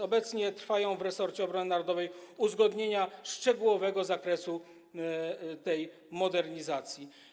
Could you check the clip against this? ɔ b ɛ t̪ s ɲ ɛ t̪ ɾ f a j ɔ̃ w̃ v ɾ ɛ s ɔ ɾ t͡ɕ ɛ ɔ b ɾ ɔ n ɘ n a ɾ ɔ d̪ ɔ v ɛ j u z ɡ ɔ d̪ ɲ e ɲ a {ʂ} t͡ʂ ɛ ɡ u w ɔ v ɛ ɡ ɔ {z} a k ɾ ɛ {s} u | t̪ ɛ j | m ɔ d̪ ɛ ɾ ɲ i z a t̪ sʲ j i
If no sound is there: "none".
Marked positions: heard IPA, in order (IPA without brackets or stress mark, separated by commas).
ʂ, z, s